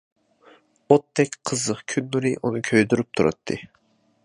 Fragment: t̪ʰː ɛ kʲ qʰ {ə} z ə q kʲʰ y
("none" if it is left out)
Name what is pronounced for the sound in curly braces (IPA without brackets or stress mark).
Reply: ə